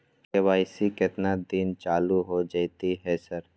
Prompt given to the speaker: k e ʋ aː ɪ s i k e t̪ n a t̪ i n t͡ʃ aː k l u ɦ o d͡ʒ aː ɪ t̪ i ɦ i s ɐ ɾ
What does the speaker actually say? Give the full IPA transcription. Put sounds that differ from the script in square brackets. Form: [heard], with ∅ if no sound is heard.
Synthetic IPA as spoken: k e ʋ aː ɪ s i k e t̪ n a [d̪] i n t͡ʃ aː [∅] l u ɦ o d͡ʒ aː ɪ t̪ i ɦ [ɛ] s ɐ ɾ